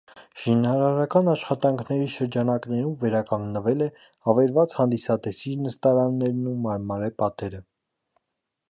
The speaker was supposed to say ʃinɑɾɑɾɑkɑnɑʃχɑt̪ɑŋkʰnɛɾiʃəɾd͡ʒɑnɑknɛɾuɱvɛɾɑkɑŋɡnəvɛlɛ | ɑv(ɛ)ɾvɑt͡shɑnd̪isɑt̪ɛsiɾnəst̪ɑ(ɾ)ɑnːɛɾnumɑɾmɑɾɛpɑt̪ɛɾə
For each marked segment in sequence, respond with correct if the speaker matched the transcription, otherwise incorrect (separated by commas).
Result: correct, correct